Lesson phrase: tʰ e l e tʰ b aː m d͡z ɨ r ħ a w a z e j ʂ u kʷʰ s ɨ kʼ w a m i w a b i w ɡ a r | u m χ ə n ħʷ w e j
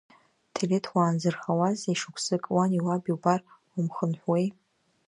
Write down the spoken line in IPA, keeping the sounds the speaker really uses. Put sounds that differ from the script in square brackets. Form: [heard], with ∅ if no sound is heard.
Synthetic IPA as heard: tʰ e l e tʰ [w] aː [n] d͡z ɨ r [χ] a w a z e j ʂ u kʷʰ s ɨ kʼ w a [n] i w a b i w [b] a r | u m χ ə n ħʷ w e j